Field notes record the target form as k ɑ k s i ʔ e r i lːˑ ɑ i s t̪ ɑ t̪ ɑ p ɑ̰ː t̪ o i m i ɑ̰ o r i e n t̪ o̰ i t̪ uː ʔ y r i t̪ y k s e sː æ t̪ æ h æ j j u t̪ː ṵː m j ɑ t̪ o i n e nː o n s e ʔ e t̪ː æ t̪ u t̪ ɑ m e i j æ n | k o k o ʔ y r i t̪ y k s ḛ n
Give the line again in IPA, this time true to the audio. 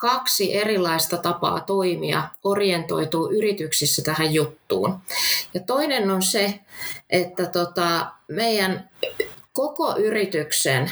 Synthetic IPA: k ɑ k s i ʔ e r i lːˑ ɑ i s t̪ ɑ t̪ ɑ p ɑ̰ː t̪ o i m i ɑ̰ o r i e n t̪ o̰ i t̪ uː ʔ y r i t̪ y k s i sː æ t̪ æ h æ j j u t̪ː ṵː n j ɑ t̪ o i n e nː o n s e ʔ e t̪ː æ t̪ o t̪ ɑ m e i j æ n | k o k o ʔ y r i t̪ y k s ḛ n